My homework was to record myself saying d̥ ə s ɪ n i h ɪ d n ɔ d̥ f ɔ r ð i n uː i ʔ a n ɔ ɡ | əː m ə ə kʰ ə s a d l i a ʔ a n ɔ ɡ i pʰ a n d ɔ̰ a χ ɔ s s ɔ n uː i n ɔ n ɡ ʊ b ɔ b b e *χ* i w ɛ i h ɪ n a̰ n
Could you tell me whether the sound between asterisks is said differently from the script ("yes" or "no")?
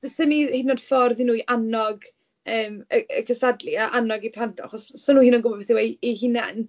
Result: yes